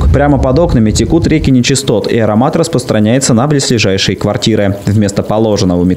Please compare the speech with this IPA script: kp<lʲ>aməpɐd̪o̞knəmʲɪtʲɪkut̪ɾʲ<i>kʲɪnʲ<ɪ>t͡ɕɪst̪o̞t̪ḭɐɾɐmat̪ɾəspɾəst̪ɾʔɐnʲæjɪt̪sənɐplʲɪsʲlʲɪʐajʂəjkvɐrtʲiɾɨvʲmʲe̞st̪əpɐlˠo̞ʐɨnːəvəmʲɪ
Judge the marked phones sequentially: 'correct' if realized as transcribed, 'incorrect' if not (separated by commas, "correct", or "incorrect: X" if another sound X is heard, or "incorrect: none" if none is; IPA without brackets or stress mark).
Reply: incorrect: ɾʲ, incorrect: e, correct